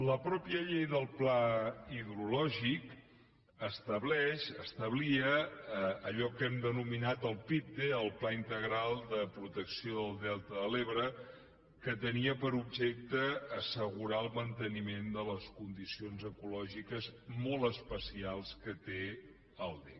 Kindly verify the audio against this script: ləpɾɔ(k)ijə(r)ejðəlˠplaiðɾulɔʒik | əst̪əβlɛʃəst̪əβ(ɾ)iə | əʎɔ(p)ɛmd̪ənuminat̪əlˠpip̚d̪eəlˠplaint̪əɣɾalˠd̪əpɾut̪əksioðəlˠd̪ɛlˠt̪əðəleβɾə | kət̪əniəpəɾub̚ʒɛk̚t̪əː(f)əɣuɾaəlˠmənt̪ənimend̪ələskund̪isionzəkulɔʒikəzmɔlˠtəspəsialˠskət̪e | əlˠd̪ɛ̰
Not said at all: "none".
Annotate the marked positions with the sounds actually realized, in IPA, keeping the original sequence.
p, ʎ, l, k, s

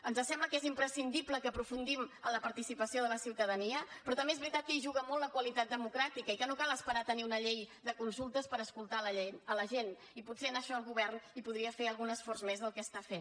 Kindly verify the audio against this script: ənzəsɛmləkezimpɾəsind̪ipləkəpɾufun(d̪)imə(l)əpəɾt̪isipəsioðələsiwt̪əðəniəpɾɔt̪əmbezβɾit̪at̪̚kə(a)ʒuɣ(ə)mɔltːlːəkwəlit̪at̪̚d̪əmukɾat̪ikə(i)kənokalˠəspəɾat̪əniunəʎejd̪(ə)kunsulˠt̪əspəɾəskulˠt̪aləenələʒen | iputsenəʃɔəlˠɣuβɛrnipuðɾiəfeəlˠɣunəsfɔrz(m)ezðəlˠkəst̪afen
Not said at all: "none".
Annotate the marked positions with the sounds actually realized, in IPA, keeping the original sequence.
d̪, l, i, ə, i, ə, m

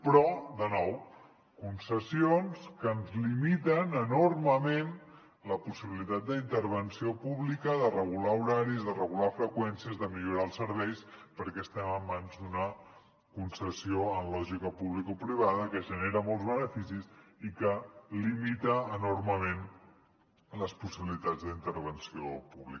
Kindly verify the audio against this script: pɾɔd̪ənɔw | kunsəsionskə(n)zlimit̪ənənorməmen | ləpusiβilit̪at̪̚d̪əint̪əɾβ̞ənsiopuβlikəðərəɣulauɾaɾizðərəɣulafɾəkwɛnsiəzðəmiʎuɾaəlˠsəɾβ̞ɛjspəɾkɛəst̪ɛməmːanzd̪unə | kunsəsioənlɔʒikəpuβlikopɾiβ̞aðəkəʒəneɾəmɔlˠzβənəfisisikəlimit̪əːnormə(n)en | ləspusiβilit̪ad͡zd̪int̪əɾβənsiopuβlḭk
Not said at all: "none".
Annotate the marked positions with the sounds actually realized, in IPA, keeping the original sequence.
n, m

